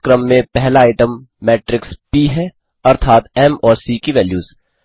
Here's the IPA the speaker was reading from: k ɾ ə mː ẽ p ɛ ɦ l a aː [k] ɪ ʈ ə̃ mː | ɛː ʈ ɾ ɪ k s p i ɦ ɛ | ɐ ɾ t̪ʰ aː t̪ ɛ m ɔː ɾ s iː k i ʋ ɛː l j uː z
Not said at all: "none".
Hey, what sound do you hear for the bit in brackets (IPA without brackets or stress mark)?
none